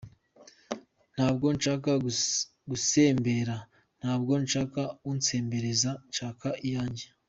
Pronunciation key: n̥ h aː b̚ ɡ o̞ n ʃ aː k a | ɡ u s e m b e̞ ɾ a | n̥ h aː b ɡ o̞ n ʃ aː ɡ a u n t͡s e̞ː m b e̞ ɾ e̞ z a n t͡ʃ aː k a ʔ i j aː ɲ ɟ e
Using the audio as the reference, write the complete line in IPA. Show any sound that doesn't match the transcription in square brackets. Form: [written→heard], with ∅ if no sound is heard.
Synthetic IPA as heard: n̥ h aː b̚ ɡ o̞ n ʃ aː k a | ɡ u s e m b e̞ ɾ a | n̥ h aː b ɡ o̞ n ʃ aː [ɡ→k] a u n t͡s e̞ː m b e̞ ɾ e̞ z a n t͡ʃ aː k a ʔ i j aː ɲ ɟ e